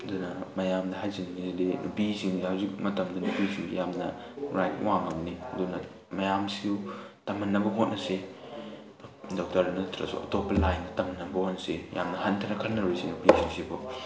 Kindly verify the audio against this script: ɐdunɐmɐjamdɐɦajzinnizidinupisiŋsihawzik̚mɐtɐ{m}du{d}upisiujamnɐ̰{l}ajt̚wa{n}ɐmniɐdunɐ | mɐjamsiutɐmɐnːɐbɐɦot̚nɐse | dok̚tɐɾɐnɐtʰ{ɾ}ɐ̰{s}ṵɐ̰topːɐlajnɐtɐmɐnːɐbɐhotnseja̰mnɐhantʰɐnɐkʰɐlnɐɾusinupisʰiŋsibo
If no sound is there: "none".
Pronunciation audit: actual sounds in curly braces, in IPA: m, n, ɾ, ŋ, ɾ, s

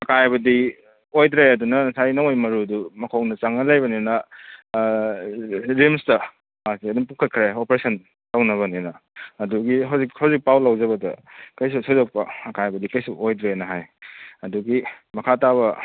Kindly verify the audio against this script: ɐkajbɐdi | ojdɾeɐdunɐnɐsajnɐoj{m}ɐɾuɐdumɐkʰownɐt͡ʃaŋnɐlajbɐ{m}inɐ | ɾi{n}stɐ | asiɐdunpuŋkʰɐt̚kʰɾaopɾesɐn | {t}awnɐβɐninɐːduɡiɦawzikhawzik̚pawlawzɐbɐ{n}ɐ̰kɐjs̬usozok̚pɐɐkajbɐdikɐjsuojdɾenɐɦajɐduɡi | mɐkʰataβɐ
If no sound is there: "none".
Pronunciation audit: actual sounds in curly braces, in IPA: m, n, m, t, d

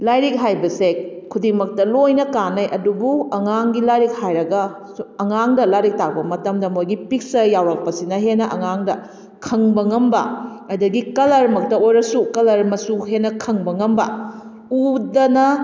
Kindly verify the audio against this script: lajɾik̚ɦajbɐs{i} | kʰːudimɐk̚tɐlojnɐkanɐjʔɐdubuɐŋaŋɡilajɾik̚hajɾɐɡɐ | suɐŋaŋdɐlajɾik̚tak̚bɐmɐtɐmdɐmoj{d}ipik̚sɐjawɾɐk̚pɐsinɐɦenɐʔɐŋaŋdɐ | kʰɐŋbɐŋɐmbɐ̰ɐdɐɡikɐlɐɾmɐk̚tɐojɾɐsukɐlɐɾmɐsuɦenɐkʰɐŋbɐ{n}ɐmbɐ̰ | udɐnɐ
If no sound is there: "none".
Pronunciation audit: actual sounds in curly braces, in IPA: e, ɡ, ŋ

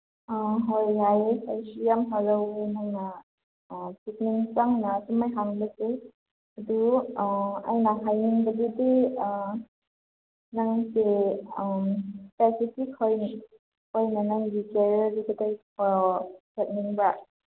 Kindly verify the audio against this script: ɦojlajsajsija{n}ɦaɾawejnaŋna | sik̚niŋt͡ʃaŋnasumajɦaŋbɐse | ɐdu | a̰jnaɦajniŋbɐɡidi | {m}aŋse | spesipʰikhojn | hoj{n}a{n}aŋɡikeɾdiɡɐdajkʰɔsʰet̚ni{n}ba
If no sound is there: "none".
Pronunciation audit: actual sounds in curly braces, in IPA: m, n, n, n, ŋ

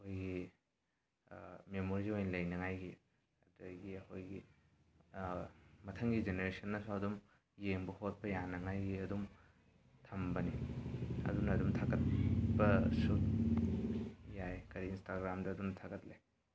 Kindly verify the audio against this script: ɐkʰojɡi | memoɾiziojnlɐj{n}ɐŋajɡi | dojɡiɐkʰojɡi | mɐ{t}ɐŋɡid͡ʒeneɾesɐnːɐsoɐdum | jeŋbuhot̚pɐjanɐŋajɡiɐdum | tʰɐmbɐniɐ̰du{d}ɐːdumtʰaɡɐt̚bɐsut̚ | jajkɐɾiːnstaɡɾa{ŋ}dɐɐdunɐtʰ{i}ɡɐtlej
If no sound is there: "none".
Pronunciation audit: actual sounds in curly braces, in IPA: n, tʰ, n, m, a

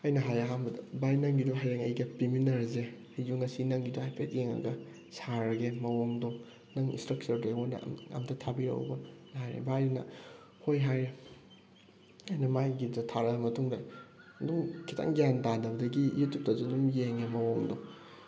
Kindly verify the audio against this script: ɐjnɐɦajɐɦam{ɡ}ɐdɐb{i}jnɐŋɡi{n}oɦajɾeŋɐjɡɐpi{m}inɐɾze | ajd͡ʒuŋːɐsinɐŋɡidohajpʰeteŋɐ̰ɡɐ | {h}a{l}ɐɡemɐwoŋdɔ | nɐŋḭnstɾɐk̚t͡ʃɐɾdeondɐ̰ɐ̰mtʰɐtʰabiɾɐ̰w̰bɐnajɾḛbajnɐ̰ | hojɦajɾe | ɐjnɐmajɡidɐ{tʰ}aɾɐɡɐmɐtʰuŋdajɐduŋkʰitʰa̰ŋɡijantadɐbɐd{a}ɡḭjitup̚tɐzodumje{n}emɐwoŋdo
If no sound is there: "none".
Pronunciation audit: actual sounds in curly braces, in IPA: b, a, d, m, s, ɾ, tʰ, ɐ, ŋ

